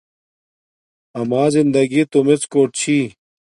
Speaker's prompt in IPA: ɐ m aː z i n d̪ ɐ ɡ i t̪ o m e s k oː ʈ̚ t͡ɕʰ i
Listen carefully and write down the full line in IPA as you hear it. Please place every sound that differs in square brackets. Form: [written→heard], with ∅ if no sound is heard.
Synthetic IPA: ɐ m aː z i n d̪ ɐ ɡ i t̪ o m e [s→t͡s] k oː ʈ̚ t͡ɕʰ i

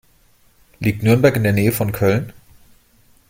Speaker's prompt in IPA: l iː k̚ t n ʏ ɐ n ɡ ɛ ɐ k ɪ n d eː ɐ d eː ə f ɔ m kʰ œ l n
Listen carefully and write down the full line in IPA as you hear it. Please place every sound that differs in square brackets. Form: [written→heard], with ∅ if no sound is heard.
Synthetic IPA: l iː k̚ t n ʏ ɐ n [ɡ→b] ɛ ɐ k ɪ n d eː ɐ [d→n] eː ə f ɔ [m→n] kʰ œ l n

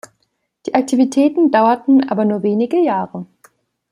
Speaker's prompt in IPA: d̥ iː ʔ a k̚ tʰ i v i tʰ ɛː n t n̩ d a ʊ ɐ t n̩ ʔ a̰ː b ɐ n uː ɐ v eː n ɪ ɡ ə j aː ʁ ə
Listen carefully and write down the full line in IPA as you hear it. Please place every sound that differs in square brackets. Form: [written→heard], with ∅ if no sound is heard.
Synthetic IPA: d̥ iː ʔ a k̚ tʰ i v i tʰ ɛː [n→∅] t n̩ d a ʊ ɐ t n̩ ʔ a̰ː b ɐ n uː ɐ v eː n ɪ ɡ ə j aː ʁ ə

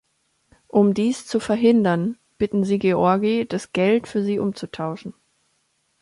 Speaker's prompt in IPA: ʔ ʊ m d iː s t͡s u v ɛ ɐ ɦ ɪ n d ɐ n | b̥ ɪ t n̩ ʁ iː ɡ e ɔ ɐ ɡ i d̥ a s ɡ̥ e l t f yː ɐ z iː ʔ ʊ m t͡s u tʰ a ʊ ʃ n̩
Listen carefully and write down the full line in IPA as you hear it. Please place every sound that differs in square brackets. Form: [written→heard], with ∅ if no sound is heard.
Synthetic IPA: ʔ ʊ m d iː s t͡s u [v→f] ɛ ɐ ɦ ɪ n d ɐ n | b̥ ɪ t n̩ [ʁ→z] iː ɡ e ɔ ɐ ɡ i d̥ a s ɡ̥ [e→ɛ] l t f yː ɐ z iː ʔ ʊ m t͡s u tʰ a ʊ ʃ n̩

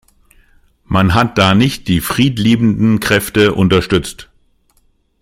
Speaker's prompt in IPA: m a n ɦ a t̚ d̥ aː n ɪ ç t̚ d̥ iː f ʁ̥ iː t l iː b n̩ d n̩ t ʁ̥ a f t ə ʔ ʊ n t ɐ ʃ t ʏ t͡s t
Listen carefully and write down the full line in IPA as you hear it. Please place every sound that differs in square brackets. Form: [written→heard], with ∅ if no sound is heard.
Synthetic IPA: m a n ɦ a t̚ d̥ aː n ɪ ç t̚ d̥ iː f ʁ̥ iː t l iː b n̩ d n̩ [t→k] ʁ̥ [a→ɛ] f t ə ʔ ʊ n t ɐ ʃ t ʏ t͡s t

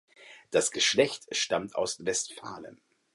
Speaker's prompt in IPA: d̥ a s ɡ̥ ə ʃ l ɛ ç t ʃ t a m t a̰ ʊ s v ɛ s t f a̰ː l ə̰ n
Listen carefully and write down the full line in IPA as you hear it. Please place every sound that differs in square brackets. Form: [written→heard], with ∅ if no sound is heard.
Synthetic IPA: d̥ a s ɡ̥ ə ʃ l ɛ ç t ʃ t a m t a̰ ʊ s v ɛ s t f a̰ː l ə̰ n

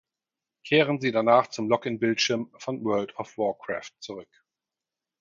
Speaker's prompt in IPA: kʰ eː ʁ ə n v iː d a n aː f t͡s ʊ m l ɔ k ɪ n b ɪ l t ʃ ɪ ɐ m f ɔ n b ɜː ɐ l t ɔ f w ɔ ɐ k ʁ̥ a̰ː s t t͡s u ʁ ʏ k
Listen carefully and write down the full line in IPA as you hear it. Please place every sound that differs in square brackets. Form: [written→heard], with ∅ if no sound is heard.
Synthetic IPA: kʰ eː ʁ ə n [v→z] iː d a n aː [f→χ] t͡s ʊ m l ɔ k ɪ n b ɪ l t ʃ ɪ ɐ m f ɔ n [b→w] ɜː ɐ l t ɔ f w ɔ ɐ k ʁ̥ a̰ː [s→f] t t͡s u ʁ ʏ k

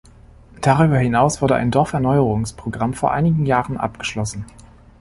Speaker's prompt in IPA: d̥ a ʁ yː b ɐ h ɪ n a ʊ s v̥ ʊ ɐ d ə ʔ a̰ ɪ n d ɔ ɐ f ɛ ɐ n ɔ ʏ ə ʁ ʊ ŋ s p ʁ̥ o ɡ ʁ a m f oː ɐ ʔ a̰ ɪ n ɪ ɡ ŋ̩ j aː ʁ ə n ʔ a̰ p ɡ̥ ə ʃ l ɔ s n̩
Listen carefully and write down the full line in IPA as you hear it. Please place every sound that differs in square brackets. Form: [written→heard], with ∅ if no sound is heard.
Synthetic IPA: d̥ a ʁ yː b ɐ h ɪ n a ʊ s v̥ ʊ ɐ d ə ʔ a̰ ɪ n d ɔ ɐ f ɛ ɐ n ɔ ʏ ə ʁ ʊ ŋ s p ʁ̥ o ɡ ʁ a m f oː ɐ ʔ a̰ ɪ n ɪ ɡ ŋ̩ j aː ʁ ə n ʔ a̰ p ɡ̥ ə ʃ l ɔ s n̩

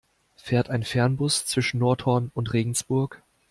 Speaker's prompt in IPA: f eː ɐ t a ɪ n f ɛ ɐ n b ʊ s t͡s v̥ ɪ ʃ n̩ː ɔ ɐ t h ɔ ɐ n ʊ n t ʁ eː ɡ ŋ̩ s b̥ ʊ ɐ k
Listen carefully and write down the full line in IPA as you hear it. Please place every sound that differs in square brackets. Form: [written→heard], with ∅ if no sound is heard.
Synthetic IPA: f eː ɐ t a ɪ n f ɛ ɐ n b ʊ s t͡s v̥ ɪ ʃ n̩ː ɔ ɐ t h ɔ ɐ n ʊ n t ʁ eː ɡ ŋ̩ s b̥ ʊ ɐ k

